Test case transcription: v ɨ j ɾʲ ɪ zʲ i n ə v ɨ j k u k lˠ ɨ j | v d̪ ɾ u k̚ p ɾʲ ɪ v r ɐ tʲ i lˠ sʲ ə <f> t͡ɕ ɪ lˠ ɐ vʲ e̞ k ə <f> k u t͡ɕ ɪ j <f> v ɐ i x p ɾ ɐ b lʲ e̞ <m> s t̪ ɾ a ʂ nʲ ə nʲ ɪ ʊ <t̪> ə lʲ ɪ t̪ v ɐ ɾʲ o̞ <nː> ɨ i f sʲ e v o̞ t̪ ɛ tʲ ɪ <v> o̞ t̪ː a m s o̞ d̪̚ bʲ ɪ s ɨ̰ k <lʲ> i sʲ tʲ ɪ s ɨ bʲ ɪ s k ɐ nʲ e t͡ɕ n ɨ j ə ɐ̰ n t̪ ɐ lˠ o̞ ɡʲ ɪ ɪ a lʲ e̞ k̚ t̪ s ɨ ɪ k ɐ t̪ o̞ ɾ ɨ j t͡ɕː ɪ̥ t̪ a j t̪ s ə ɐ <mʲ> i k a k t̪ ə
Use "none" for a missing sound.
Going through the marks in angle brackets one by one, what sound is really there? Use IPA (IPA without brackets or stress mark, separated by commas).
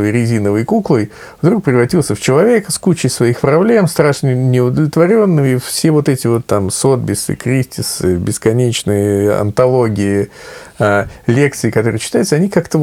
f, s, s, m, d̪, nː, v, ɾʲ, nʲ